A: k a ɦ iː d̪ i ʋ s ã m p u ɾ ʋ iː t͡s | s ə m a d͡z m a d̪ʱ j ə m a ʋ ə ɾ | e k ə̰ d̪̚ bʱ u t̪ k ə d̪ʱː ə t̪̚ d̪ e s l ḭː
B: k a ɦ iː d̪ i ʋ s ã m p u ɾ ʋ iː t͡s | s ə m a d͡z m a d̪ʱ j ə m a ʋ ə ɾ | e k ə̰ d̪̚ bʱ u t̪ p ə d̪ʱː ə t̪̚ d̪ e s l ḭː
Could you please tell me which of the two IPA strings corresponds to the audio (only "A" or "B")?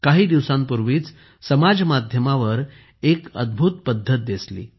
B